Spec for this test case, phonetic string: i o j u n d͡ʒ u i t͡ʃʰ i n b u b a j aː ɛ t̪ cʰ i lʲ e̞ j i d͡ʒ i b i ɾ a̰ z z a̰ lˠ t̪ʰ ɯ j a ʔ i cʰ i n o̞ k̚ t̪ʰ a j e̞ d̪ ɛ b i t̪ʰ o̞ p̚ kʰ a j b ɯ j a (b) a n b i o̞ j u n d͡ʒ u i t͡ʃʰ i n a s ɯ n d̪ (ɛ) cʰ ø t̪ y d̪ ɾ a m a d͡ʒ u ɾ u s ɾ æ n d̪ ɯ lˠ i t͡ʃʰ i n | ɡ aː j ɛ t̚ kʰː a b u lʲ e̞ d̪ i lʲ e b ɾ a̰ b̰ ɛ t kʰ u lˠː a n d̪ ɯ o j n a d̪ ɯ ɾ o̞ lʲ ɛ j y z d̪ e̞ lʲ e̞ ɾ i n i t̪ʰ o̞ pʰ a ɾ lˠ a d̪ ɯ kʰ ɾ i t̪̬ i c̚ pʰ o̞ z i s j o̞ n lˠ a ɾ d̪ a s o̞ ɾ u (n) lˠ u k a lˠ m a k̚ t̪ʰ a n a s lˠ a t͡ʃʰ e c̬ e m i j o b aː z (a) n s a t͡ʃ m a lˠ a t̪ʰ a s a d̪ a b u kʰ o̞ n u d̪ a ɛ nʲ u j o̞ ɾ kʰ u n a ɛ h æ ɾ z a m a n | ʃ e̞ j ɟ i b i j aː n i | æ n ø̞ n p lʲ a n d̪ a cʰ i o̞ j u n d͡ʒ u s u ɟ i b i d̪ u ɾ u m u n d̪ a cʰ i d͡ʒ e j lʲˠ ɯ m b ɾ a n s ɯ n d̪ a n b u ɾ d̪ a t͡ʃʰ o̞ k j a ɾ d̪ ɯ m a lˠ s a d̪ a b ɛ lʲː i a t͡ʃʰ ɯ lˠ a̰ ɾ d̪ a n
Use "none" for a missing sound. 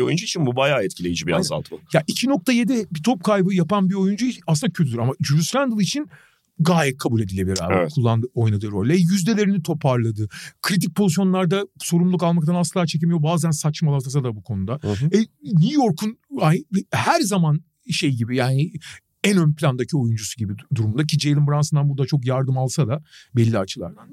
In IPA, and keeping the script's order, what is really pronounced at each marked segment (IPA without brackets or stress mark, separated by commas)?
p, a, m, æ